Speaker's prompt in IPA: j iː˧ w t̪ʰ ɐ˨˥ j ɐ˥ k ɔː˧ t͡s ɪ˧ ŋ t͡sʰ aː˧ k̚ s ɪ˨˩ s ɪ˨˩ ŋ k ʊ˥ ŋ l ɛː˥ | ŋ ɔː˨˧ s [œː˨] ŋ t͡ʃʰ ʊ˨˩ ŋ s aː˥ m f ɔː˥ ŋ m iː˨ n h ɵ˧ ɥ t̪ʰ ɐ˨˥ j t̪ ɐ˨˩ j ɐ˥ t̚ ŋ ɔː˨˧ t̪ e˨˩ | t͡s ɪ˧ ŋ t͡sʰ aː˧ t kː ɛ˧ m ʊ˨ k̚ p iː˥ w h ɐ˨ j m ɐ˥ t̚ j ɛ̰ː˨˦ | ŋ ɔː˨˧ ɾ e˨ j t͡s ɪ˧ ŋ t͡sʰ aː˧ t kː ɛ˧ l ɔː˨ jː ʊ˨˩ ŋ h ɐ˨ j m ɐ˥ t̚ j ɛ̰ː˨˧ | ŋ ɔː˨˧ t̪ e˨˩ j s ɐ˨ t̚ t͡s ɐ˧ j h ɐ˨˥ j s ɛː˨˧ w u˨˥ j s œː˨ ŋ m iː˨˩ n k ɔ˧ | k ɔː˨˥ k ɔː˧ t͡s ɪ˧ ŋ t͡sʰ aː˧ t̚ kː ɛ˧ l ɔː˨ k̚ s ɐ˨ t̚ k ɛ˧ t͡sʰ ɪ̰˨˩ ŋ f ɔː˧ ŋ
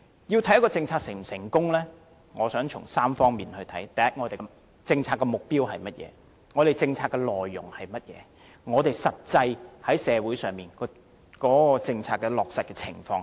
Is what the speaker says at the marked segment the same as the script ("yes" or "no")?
no